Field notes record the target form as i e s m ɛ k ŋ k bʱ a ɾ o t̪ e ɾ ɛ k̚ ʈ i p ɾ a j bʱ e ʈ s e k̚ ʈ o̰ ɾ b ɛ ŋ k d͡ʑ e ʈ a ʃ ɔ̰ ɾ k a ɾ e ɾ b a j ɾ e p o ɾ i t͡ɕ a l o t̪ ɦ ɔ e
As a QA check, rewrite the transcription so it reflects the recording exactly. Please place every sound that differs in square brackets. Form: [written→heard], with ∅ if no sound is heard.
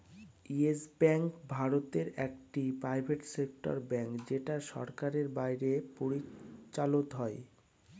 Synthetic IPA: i e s [m→b] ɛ [k→∅] ŋ k bʱ a ɾ o t̪ e ɾ ɛ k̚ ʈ i p ɾ a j bʱ e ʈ s e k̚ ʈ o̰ ɾ b ɛ ŋ k d͡ʑ e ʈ a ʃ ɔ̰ ɾ k a ɾ e ɾ b a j ɾ e p o ɾ i t͡ɕ a l o t̪ ɦ ɔ e

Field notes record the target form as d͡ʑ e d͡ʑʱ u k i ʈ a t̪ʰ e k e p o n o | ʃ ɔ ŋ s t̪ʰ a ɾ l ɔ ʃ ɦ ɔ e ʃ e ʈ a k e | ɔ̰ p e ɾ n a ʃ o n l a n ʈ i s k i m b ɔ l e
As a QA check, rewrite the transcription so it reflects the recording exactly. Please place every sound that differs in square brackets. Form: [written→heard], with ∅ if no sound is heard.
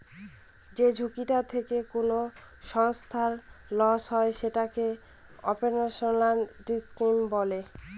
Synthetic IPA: d͡ʑ e d͡ʑʱ u k i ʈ a t̪ʰ e k e [p→k] o n o | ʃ ɔ ŋ s t̪ʰ a ɾ l ɔ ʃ ɦ ɔ e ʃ e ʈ a k e | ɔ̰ p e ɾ n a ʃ o n l a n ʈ i s k i m b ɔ l e

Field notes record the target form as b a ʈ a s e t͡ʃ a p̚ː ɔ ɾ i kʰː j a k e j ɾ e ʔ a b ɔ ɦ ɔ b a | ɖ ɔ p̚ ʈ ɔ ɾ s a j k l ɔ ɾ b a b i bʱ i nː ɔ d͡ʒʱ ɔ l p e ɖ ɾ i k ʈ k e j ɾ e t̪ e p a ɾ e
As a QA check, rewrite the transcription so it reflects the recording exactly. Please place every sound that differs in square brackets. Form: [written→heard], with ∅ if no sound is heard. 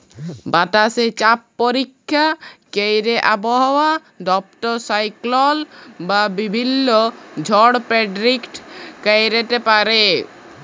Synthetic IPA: b a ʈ a s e t͡ʃ a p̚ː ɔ ɾ i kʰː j a k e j ɾ e ʔ a b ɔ ɦ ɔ [b→w] a | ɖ ɔ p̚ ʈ ɔ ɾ s a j k l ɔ [ɾ→l] b a b i bʱ i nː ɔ d͡ʒʱ ɔ [l→ɽ] p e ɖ ɾ i k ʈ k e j ɾ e t̪ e p a ɾ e

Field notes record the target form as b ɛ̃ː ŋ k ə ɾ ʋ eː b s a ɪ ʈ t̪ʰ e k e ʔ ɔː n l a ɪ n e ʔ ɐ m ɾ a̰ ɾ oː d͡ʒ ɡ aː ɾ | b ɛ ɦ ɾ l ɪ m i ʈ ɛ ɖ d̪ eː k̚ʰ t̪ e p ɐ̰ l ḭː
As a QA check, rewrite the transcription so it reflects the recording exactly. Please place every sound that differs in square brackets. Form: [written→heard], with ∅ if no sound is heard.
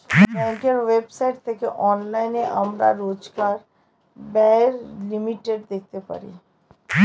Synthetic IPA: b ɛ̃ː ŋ k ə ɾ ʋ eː b s a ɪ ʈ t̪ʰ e k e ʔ ɔː n l a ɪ n e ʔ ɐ m ɾ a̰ ɾ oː d͡ʒ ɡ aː ɾ | b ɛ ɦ ɾ l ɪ m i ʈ [ɛ→e] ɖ d̪ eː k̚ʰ t̪ e p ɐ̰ [l→ɾ] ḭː

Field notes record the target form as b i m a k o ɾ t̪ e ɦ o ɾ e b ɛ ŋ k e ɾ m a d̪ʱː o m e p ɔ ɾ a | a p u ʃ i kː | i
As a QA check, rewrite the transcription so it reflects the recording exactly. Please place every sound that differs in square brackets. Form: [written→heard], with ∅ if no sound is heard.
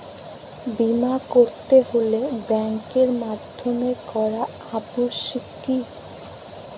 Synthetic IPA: b i m a k o ɾ t̪ e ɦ o [ɾ→l] e b ɛ ŋ k e ɾ m a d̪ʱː o m e [p→k] ɔ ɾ a | a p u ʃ i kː | i

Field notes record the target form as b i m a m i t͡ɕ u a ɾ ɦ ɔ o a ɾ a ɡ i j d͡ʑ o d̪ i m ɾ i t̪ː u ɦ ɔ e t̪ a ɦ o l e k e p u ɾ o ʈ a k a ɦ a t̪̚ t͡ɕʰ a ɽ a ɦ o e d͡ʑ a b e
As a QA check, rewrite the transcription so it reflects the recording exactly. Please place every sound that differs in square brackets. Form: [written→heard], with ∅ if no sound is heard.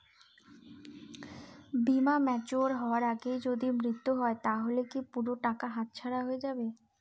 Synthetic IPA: b i m a m [i→ɛ] t͡ɕ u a ɾ ɦ ɔ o a ɾ a ɡ [i→e] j d͡ʑ o d̪ i m ɾ i t̪ː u ɦ ɔ e t̪ a ɦ o l e k [e→i] p u ɾ o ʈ a k a ɦ a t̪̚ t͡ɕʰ a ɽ a ɦ o e d͡ʑ a b e

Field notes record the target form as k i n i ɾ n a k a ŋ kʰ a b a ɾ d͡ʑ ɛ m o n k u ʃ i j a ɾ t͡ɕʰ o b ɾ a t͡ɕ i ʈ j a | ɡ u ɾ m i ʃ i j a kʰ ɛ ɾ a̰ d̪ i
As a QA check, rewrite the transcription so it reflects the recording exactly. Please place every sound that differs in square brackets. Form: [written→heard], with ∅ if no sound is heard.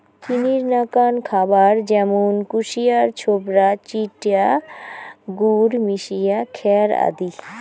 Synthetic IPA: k i n i ɾ n a k a [ŋ→n] kʰ a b a ɾ d͡ʑ ɛ m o n k u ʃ i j a ɾ t͡ɕʰ o b ɾ a t͡ɕ i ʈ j a | ɡ u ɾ m i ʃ i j a kʰ ɛ ɾ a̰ d̪ i

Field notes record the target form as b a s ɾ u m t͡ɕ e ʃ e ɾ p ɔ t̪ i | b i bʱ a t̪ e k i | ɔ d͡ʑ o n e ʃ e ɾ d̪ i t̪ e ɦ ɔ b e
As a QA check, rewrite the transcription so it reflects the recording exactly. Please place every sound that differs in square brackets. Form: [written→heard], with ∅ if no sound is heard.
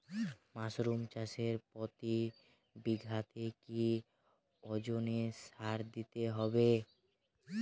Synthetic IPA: [b→m] a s ɾ u m t͡ɕ [e→a] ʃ e ɾ p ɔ t̪ i | b i [bʱ→ɡʱ] a t̪ e k i | ɔ d͡ʑ o n e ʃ [e→a] ɾ d̪ i t̪ e ɦ ɔ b e

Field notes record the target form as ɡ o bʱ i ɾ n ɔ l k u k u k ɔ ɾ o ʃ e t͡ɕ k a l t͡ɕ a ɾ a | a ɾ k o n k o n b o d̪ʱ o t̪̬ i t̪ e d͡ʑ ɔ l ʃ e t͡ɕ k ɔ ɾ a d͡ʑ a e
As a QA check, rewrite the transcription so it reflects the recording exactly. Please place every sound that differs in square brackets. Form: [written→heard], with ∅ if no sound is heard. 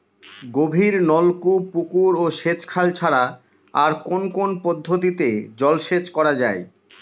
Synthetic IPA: ɡ o bʱ i ɾ n ɔ l k u [k→p] u k [ɔ→u] ɾ o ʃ e t͡ɕ [k→kʰ] a l [t͡ɕ→t͡ɕʰ] a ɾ a | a ɾ k o n k o n [b→p] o [d̪ʱ→d̪ʱː] o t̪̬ i t̪ e d͡ʑ ɔ l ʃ e t͡ɕ k ɔ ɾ a d͡ʑ a e

